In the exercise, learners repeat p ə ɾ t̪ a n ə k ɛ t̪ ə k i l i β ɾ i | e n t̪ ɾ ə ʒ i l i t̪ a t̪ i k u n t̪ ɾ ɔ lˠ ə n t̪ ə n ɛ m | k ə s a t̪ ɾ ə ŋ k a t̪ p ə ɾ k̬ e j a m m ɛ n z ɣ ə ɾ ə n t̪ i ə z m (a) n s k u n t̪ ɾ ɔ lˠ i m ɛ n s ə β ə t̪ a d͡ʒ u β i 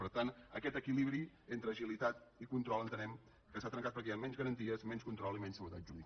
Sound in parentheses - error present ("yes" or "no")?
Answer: yes